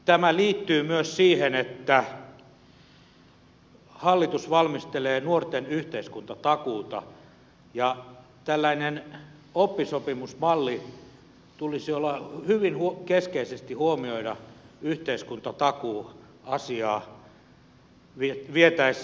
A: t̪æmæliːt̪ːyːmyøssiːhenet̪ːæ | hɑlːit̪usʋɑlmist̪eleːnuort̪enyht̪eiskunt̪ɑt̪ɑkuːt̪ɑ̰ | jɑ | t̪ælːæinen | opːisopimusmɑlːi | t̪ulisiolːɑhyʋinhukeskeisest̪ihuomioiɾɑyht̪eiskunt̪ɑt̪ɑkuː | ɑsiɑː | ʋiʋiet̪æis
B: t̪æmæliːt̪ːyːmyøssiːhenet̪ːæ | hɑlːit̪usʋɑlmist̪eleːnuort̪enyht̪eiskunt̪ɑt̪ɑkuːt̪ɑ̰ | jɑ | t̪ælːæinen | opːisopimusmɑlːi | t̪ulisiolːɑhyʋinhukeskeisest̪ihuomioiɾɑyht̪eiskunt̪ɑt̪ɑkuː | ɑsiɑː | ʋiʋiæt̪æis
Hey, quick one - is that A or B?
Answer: A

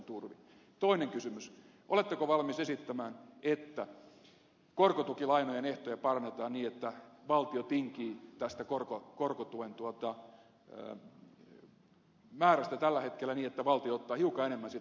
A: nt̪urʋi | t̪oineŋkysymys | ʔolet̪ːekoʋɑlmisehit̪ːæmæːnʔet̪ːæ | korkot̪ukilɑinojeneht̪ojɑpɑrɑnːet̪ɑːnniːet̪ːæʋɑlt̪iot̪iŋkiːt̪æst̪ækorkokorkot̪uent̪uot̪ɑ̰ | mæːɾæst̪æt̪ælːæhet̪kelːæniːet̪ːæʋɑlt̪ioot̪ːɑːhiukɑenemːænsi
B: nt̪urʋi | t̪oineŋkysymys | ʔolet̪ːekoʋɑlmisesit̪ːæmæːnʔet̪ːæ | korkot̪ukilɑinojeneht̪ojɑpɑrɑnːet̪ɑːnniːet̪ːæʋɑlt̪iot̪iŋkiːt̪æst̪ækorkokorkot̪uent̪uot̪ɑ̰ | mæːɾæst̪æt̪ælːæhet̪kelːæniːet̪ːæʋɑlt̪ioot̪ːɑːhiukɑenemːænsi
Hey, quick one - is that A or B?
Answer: B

